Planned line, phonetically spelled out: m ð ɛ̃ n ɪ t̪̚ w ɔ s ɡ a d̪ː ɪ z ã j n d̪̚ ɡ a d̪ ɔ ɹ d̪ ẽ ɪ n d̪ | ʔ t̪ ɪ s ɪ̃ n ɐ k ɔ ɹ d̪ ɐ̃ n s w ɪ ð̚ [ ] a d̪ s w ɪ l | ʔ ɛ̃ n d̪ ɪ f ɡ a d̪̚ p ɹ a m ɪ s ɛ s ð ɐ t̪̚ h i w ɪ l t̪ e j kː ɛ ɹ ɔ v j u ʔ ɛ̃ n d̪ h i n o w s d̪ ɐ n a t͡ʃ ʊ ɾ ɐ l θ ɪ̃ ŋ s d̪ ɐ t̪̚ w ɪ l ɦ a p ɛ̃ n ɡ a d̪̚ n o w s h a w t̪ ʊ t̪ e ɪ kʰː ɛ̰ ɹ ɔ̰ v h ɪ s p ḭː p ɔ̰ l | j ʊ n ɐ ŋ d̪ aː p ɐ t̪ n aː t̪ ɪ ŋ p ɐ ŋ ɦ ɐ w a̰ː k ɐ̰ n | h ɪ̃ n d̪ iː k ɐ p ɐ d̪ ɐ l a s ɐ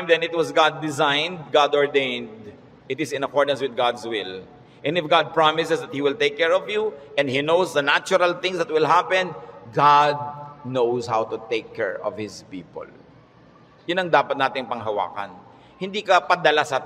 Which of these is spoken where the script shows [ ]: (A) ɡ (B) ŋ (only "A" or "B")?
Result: A